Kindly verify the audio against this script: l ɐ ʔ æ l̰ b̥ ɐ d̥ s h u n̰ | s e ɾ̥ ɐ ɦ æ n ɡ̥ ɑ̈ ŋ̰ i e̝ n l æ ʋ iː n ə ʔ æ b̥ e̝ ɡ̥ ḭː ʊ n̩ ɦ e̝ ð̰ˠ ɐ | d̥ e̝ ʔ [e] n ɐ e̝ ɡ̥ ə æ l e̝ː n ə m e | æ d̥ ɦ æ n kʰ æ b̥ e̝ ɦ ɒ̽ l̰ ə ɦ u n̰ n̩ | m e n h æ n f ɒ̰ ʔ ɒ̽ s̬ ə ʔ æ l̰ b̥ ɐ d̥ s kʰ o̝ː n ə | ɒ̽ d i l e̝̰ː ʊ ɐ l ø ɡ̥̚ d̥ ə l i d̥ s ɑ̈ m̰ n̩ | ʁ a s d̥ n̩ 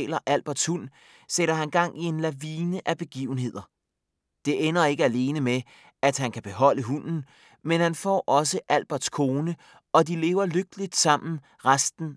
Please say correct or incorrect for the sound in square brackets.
correct